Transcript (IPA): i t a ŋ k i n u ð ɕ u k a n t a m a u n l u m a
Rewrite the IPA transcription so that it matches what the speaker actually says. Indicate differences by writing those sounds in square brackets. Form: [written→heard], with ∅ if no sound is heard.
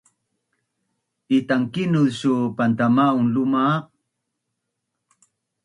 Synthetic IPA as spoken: i t a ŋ k i n u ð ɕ u [k→p] a n t a m a u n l u m a